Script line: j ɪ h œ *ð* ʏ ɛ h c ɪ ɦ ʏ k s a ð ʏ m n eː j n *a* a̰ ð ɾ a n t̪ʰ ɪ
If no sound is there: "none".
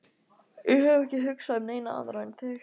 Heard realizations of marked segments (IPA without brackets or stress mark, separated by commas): v, a